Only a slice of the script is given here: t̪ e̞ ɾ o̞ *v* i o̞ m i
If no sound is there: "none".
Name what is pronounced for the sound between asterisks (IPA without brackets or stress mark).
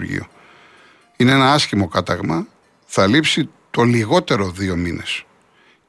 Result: ð